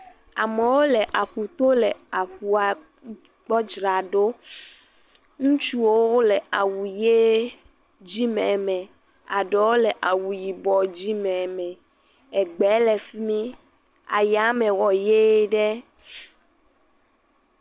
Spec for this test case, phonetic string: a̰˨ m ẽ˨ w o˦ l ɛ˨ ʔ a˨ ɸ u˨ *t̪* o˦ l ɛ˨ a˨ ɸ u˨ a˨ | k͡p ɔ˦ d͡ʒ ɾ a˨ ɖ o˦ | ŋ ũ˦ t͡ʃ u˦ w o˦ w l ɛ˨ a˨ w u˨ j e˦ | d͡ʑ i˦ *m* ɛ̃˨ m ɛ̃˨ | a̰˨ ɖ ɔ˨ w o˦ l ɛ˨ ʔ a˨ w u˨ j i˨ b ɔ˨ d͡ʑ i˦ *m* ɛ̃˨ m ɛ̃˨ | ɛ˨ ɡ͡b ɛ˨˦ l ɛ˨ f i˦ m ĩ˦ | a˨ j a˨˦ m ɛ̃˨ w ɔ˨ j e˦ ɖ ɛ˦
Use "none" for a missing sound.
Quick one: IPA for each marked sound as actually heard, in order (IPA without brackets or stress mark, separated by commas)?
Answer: t̪, m, m